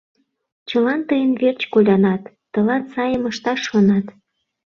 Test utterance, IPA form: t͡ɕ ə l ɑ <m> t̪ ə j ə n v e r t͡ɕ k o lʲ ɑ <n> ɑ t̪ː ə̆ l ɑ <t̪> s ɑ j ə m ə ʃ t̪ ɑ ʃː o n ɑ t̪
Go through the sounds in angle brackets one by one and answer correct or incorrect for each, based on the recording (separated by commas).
incorrect, correct, correct